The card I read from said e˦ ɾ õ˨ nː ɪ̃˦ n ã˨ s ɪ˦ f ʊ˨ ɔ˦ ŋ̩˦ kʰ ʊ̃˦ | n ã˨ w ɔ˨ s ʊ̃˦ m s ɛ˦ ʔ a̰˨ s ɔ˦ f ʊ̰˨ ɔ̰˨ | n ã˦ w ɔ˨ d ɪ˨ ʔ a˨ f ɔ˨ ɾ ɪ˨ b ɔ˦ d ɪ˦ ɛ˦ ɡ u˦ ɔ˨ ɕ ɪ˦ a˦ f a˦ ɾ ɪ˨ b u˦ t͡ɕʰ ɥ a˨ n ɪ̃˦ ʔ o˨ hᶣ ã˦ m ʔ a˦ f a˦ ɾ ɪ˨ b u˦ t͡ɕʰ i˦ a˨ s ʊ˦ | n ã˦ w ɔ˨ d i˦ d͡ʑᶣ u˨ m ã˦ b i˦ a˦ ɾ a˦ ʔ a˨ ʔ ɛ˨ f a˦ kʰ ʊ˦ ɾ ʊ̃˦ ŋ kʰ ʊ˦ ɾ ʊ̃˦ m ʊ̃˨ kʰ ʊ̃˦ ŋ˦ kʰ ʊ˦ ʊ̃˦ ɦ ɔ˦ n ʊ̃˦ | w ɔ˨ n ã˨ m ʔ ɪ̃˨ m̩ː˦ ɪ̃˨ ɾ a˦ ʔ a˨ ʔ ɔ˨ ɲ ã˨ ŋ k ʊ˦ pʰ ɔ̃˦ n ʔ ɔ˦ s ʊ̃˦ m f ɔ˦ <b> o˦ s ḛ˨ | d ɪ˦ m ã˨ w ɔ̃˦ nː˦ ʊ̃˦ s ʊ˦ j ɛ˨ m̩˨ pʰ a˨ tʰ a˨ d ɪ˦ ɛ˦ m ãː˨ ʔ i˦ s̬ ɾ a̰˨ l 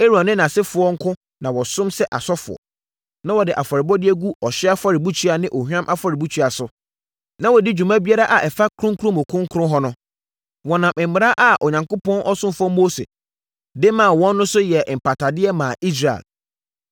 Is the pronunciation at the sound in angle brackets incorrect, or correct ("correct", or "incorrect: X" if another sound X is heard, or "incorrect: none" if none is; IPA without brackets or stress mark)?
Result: incorrect: m